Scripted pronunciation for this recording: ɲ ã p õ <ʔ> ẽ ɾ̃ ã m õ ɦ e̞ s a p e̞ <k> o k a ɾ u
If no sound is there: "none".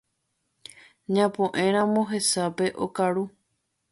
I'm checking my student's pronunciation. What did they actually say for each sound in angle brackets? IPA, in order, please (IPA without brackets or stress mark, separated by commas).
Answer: ʔ, ʔ